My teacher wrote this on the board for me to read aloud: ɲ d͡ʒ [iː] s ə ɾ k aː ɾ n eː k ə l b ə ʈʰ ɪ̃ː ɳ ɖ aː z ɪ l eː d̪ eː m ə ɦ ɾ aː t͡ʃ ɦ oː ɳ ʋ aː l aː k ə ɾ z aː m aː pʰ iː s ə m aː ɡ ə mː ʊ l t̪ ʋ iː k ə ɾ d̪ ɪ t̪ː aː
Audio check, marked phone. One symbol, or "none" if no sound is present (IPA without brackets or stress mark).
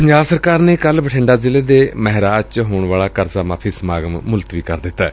aː